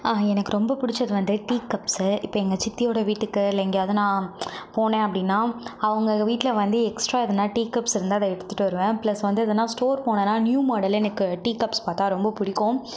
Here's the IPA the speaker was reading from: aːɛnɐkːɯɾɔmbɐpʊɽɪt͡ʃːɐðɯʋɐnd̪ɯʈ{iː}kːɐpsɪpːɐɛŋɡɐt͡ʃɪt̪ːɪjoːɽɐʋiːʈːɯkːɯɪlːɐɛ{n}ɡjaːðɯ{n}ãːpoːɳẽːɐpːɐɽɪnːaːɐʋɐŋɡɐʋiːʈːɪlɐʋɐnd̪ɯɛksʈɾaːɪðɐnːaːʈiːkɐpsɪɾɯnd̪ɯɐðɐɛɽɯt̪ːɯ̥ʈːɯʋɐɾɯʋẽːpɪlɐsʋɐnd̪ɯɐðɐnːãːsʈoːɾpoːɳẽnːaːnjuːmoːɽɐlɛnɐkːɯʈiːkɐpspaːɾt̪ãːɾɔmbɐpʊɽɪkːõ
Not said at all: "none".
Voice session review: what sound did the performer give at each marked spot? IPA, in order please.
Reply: iː, ŋ, n

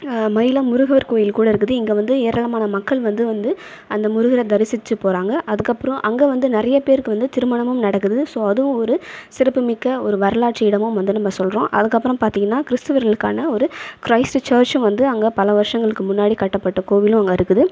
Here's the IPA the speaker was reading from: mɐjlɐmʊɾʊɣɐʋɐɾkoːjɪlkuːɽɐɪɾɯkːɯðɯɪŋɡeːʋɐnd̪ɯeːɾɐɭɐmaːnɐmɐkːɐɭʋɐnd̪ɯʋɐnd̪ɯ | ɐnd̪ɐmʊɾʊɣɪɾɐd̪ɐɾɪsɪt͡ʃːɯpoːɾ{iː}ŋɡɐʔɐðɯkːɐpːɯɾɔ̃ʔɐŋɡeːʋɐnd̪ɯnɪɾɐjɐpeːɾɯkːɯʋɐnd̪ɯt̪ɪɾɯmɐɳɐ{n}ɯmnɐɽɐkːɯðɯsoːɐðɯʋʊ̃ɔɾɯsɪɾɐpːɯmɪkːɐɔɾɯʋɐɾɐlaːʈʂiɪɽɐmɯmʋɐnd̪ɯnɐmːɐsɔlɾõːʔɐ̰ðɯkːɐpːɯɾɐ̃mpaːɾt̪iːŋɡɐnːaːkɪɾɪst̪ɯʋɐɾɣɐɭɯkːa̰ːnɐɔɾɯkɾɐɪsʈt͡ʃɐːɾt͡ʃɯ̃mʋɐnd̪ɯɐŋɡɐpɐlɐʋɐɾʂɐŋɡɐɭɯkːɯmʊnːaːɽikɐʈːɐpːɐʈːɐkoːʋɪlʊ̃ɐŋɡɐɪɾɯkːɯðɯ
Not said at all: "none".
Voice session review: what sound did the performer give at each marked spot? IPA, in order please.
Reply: aː, m

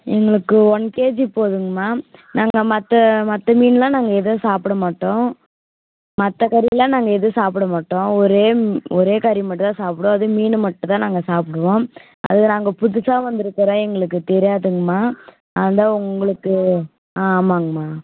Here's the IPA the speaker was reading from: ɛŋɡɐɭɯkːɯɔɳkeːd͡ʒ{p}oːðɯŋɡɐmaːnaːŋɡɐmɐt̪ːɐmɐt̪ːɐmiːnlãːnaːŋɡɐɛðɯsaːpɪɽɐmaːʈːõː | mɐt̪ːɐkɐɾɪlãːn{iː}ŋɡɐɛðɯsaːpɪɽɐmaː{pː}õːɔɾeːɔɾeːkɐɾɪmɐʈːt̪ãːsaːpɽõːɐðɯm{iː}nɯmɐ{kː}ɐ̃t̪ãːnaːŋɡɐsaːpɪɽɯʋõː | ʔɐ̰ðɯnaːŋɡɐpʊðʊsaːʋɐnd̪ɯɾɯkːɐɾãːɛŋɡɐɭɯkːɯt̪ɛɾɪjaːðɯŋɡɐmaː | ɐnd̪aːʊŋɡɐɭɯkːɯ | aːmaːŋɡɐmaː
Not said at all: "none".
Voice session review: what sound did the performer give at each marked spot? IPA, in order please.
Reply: p, aː, ʈː, iː, ʈː

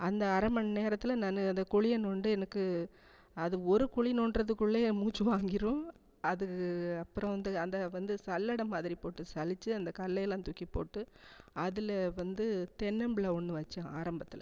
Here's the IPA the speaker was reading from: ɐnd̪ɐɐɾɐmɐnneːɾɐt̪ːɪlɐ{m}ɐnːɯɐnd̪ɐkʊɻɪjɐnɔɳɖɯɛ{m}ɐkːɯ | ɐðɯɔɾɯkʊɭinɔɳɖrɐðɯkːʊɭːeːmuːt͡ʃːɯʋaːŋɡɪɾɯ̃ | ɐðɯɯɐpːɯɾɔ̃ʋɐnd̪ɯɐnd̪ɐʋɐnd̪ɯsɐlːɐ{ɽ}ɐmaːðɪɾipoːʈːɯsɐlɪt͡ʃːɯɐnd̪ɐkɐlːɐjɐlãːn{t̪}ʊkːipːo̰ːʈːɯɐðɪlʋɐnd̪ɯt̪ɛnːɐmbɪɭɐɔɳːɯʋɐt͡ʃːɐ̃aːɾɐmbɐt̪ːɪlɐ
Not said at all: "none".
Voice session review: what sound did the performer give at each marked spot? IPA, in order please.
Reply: n, n, ɽ, t̪

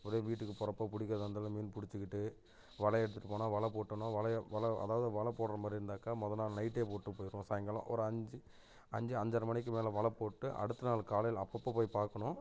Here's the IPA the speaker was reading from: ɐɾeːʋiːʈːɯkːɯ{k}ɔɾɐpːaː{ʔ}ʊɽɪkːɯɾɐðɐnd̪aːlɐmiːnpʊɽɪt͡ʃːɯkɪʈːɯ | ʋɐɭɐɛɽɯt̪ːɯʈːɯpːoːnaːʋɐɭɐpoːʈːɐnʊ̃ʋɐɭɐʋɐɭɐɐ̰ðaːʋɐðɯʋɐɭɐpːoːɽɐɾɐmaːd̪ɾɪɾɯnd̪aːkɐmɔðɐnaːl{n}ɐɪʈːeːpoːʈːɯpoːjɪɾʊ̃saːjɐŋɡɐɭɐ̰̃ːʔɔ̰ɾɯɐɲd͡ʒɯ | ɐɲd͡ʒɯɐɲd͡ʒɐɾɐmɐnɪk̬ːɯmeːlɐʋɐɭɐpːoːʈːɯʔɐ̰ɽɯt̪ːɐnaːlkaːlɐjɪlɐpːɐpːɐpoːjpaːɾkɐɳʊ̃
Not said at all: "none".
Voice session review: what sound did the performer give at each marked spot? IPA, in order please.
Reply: p, p, n

